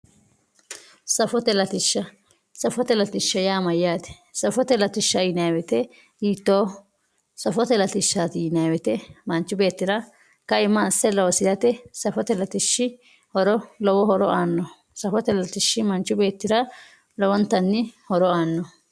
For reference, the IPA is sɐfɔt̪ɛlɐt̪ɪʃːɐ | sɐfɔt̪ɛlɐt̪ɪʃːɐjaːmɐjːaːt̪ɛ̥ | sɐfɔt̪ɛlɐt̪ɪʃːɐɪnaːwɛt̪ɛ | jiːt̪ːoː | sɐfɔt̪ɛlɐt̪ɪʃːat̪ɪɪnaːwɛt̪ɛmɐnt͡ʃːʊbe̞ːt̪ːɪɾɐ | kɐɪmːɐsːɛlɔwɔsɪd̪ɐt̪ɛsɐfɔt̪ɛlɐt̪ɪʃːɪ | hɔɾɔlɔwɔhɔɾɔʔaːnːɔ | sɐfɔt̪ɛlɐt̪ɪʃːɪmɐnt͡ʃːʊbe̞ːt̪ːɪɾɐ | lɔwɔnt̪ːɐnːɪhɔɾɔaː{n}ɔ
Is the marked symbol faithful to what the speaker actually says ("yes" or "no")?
no